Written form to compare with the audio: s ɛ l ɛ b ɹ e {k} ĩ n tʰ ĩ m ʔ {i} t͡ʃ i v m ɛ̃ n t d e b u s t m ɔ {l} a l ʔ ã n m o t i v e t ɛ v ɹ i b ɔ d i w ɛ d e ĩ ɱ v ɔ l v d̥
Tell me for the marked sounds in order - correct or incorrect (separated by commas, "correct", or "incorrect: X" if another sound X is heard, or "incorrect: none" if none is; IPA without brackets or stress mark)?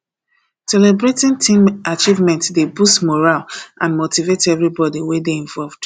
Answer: incorrect: t, incorrect: a, incorrect: ɹ